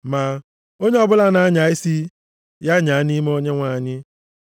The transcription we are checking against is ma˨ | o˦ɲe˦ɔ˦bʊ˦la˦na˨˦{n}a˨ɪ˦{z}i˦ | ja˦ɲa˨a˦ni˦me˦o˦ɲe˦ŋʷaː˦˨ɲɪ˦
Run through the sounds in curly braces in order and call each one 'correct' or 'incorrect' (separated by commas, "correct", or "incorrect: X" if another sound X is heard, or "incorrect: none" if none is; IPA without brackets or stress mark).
incorrect: ɲ, incorrect: s